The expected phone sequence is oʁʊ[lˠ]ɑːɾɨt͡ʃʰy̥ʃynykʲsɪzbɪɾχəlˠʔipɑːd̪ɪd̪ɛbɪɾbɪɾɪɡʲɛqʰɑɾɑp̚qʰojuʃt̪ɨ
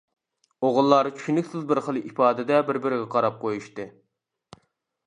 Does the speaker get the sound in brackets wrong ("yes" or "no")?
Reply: yes